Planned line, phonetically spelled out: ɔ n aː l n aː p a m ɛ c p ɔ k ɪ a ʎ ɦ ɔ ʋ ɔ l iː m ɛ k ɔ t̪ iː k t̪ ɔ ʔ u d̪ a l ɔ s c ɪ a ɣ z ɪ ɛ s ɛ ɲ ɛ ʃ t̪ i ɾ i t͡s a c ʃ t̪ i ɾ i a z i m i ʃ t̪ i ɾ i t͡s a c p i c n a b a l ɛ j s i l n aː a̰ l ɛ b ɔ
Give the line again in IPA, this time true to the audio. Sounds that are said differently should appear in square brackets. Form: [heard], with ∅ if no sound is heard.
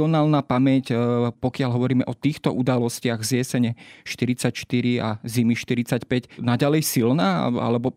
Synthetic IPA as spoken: ɔ n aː l n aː p a m ɛ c p ɔ k ɪ a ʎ ɦ ɔ ʋ ɔ [ɾ] iː m ɛ [ʔ] ɔ t̪ iː [x] t̪ ɔ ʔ u d̪ a l ɔ s c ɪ a ɣ z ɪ ɛ s ɛ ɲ ɛ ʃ t̪ i ɾ i t͡s a c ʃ t̪ i ɾ i a z i m i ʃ t̪ i ɾ i t͡s a c p [ɛ] c n a [ɟ] a l ɛ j s i l n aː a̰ l ɛ b ɔ